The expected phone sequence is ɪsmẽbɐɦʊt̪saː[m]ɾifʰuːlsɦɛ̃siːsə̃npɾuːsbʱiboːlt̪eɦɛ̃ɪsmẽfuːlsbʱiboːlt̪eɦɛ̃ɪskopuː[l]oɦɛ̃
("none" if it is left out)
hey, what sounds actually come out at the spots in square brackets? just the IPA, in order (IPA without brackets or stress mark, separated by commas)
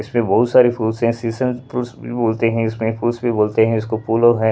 none, l